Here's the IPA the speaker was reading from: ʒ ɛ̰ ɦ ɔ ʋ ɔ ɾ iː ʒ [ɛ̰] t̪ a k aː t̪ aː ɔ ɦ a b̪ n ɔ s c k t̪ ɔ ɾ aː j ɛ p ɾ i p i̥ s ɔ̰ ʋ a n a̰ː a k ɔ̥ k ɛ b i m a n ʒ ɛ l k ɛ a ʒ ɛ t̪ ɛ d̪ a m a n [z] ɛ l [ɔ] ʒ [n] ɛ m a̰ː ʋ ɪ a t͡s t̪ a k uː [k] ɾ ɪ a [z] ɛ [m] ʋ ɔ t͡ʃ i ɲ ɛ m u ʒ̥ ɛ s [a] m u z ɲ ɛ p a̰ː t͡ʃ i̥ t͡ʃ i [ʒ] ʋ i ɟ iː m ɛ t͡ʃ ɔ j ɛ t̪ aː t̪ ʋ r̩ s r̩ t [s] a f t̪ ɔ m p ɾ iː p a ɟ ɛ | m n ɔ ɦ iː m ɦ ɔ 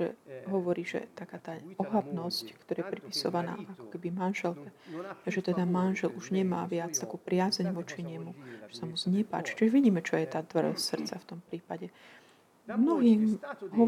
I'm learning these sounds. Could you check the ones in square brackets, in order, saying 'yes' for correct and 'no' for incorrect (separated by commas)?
yes, no, no, no, no, yes, no, yes, yes, no